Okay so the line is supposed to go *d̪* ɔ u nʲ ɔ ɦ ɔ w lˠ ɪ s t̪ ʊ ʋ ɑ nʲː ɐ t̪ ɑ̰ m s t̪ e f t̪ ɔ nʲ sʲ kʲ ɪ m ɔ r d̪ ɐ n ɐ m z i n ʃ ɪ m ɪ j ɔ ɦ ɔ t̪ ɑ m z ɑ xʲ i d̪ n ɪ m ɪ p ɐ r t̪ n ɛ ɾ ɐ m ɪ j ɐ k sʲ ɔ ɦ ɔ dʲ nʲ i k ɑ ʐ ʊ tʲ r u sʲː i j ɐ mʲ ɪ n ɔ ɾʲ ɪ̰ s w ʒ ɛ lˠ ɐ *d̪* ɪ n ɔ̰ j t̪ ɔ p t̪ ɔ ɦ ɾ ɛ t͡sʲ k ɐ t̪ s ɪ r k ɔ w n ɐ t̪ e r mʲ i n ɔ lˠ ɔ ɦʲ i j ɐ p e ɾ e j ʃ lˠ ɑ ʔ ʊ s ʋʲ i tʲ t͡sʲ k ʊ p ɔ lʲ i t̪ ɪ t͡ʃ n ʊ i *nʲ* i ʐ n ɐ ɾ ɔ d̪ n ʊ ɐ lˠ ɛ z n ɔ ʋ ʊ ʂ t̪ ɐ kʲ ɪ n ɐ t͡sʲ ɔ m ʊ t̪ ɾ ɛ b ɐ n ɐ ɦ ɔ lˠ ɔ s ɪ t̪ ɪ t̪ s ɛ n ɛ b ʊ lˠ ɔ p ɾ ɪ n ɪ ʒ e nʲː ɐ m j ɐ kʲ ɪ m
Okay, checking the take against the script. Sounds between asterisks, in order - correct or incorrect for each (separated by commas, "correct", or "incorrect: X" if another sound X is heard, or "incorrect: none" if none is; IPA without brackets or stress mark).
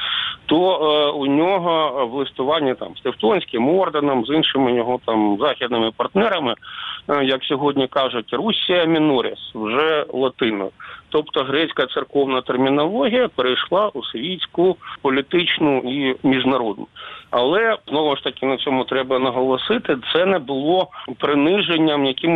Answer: incorrect: t̪, incorrect: t̪, incorrect: mʲ